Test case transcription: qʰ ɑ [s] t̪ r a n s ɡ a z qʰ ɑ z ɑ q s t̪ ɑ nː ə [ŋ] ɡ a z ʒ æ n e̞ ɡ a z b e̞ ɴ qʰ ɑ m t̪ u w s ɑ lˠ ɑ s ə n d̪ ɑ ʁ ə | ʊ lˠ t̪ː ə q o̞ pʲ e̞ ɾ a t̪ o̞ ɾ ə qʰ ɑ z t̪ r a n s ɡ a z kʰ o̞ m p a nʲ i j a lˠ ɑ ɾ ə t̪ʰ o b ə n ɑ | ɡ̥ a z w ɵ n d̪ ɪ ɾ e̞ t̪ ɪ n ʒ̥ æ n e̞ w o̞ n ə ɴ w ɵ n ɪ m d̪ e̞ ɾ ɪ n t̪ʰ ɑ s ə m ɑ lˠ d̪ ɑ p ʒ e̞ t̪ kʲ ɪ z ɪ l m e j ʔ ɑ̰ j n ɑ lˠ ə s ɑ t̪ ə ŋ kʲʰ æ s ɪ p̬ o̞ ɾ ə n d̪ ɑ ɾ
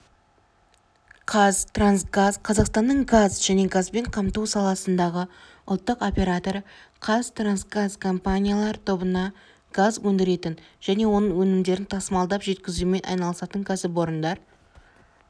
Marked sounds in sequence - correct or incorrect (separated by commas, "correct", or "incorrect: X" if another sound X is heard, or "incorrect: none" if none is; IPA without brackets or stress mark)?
incorrect: z, incorrect: ɴ